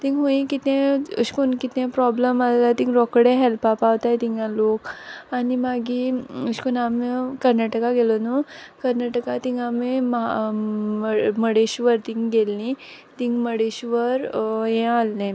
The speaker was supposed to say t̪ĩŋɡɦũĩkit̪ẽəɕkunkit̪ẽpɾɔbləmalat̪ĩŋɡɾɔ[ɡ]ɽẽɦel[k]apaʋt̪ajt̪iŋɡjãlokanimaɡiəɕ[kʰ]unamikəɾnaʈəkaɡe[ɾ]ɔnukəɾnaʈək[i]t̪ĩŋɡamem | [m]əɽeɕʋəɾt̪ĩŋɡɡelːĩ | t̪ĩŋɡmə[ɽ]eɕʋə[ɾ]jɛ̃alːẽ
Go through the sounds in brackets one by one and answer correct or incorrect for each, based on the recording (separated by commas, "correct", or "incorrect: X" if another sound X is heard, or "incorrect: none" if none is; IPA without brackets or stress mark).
incorrect: k, incorrect: p, incorrect: k, incorrect: l, incorrect: a, correct, correct, correct